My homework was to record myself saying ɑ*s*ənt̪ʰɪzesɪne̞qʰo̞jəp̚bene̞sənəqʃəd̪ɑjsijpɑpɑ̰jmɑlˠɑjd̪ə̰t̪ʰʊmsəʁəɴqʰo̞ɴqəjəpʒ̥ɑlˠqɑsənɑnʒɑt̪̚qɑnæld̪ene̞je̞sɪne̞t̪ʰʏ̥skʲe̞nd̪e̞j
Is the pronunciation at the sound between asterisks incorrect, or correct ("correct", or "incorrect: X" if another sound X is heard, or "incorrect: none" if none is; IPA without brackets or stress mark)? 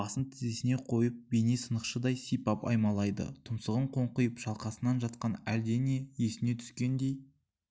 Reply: correct